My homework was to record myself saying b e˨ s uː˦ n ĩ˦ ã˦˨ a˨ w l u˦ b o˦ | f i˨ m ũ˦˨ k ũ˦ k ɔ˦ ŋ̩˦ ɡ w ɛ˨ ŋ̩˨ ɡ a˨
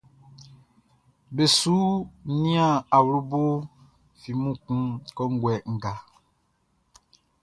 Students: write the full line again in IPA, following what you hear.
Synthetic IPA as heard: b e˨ s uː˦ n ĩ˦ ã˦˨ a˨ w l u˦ b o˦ | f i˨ m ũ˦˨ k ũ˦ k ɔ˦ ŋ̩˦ ɡ w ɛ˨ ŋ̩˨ ɡ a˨

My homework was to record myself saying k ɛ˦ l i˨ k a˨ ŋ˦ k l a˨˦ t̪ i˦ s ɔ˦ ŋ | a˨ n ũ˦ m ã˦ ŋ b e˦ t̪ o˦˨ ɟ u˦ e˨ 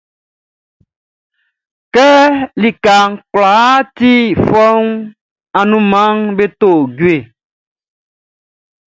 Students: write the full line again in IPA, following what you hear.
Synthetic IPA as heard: k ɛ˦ l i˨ k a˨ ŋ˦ k l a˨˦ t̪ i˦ f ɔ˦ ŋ | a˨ n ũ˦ m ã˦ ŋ b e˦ t̪ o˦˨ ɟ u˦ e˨

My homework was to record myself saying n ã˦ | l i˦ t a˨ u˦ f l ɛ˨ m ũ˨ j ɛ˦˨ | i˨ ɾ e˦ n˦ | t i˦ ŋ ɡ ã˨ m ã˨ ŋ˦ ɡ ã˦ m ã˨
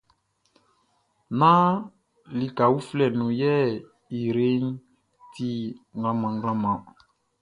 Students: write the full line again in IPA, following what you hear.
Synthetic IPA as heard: n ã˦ | l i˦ k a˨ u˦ f l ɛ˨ n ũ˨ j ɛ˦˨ | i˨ ɾ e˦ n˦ | t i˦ ŋ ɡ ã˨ m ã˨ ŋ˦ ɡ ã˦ m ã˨

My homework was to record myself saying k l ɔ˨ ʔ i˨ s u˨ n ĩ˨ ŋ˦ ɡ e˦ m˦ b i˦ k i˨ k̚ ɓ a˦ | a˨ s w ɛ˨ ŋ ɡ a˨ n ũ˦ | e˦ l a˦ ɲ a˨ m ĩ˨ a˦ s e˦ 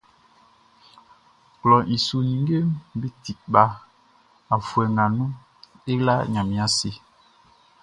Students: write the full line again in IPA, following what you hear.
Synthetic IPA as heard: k l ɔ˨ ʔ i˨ s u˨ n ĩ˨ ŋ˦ ɡ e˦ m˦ b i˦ t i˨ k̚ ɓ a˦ | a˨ f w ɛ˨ ŋ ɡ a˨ n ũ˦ | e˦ l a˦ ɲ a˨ m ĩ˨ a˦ s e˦

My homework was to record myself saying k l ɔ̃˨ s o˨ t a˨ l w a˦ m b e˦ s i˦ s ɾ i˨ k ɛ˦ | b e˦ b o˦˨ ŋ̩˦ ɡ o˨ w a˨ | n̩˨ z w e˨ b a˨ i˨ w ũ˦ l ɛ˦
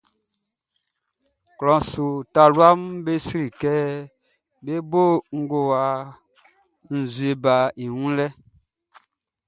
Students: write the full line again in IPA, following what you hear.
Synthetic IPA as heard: k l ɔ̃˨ s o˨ t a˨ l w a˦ m b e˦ s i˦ ɾ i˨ k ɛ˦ | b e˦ b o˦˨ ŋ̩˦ ɡ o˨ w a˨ | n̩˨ z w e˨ b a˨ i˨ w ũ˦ l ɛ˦

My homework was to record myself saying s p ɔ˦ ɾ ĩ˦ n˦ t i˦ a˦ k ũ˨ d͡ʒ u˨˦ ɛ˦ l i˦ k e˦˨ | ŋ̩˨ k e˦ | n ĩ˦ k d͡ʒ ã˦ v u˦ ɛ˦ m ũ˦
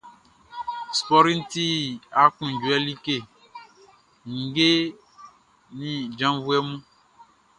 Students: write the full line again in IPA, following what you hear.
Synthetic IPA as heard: s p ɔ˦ ɾ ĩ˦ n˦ t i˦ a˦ k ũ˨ d͡ʒ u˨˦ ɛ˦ l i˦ k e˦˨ | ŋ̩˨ ɡ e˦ | n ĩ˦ d͡ʒ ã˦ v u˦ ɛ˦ m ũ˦

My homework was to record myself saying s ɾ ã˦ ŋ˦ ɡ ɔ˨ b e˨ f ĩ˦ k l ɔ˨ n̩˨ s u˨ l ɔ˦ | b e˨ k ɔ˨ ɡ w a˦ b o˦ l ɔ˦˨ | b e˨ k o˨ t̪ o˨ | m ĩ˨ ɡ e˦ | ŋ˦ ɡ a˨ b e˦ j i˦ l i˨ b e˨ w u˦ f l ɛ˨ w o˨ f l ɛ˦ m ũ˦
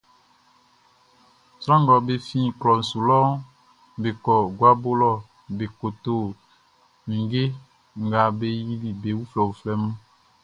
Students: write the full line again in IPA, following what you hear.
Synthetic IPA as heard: s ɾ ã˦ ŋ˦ ɡ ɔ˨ b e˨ f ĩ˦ k l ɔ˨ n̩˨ s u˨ l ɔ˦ | b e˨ k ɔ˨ ɡ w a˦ b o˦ l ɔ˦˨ | b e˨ k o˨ t̪ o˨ | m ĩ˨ ɡ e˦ | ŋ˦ ɡ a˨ b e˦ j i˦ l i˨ b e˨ w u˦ f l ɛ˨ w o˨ f l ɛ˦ m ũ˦

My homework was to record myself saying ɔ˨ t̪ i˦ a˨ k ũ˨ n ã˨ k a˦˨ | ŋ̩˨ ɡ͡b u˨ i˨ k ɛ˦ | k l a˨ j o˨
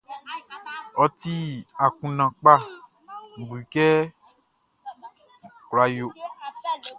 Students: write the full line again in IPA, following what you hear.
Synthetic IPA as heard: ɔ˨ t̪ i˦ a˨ k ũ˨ n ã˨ k͡p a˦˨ | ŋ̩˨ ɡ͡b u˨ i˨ k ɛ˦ | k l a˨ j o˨

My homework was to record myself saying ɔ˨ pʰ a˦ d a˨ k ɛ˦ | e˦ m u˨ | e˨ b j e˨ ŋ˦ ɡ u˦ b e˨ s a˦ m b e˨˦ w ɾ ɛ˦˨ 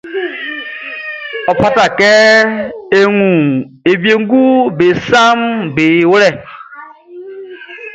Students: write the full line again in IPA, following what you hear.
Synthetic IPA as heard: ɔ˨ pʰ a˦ t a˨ k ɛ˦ | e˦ ŋ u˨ | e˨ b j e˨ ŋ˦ ɡ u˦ b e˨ s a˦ m b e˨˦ w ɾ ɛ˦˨

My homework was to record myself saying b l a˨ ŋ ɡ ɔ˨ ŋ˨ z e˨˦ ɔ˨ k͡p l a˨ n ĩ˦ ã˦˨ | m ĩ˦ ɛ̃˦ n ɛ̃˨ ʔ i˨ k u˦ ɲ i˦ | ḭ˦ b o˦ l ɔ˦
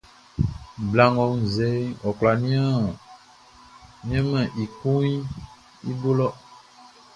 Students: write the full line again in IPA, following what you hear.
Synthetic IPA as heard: b l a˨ ŋ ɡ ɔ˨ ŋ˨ z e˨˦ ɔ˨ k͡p l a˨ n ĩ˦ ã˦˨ | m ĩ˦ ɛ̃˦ m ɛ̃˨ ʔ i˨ k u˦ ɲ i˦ | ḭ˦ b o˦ l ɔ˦

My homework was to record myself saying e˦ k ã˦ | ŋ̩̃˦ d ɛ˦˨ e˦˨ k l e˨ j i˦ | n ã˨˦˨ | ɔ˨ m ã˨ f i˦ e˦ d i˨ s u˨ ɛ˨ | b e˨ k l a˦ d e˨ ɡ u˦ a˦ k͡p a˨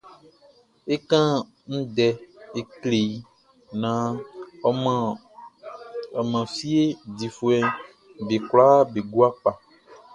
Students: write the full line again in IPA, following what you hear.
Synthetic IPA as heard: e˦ k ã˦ | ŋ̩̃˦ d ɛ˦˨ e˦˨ k l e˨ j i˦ | n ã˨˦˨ | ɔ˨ m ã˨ f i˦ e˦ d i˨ f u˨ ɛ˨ | b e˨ k l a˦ b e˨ ɡ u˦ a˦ k͡p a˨

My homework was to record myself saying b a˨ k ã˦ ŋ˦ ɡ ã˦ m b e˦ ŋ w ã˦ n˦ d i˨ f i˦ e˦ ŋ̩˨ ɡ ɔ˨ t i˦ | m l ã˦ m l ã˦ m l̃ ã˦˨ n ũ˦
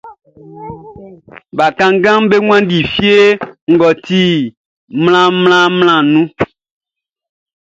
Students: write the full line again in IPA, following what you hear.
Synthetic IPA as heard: b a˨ k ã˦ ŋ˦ ɡ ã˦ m b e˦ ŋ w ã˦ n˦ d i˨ f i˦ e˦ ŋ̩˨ ɡ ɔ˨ t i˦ | m l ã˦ m l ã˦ m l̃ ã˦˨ n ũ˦

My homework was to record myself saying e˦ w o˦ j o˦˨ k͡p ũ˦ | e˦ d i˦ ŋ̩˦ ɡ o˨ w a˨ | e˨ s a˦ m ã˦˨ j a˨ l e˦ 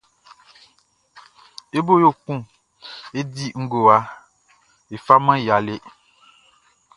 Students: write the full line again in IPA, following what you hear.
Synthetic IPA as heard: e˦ b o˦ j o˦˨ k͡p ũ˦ | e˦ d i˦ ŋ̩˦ ɡ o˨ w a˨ | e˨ f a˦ m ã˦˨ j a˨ l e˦

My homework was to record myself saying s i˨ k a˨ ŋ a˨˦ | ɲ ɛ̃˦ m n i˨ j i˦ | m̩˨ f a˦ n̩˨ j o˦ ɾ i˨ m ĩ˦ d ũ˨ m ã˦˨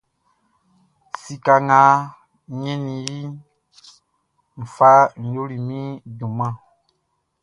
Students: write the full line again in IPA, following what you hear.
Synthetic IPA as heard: s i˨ k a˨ ŋ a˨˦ | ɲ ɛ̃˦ n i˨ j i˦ | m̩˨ f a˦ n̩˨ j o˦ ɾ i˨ m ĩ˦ d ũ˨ m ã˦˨

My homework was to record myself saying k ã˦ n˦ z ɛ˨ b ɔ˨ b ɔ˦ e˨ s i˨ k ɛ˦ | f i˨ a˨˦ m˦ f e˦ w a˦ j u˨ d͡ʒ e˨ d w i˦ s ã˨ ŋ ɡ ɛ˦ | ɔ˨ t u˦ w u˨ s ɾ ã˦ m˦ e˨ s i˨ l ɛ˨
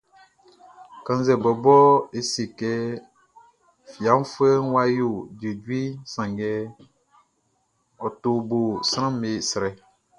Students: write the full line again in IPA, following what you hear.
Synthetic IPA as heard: k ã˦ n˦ z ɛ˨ b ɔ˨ b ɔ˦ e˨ s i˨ k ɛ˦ | f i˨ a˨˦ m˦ f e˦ w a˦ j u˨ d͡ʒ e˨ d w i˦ s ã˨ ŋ ɡ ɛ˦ | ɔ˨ t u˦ b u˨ s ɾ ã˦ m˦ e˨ s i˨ ɾ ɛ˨

